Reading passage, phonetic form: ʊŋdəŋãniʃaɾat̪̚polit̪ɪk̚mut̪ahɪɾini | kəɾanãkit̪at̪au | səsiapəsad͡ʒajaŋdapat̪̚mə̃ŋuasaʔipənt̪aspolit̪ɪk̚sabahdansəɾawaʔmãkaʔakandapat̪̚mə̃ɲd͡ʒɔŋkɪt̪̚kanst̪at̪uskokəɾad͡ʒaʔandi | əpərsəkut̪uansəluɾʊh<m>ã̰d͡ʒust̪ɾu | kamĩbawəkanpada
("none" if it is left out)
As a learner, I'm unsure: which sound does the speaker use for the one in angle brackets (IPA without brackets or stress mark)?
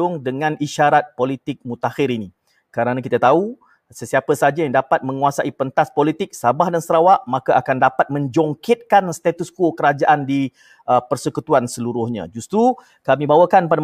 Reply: ɲ